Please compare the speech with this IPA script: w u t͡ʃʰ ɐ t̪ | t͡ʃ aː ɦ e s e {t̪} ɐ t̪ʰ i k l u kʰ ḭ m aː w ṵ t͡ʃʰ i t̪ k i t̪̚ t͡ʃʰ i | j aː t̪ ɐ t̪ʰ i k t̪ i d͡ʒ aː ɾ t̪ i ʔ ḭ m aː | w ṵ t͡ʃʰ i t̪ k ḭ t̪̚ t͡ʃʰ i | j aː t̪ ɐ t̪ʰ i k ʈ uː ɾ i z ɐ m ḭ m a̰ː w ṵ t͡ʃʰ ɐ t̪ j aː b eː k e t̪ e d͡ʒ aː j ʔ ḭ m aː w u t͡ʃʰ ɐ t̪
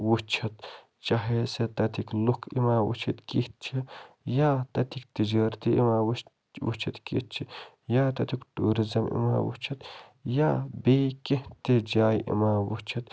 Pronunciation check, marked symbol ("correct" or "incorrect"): correct